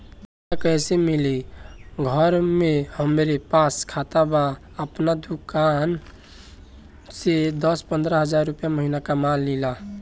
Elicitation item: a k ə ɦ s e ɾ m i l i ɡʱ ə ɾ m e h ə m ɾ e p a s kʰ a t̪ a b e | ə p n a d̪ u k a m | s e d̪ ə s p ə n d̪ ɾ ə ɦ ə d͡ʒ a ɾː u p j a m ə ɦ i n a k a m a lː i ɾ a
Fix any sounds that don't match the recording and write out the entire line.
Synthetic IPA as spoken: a k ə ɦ s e m i l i ɡʱ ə ɾ m e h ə m ɾ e p a s kʰ a t̪ a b a | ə p n a d̪ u k a n | s e d̪ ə s p ə n d̪ ɾ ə ɦ ə d͡ʒ a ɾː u p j a m ə ɦ i n a k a m a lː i l a